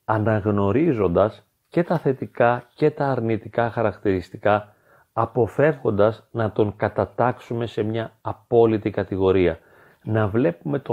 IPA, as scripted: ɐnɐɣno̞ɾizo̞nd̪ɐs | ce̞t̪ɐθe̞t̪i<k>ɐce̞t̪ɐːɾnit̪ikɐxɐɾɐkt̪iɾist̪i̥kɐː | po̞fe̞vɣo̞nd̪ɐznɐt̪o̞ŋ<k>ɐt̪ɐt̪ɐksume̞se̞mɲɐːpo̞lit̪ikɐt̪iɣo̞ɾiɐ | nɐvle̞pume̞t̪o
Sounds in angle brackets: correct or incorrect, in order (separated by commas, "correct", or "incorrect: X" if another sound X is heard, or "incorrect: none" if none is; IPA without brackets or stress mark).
correct, correct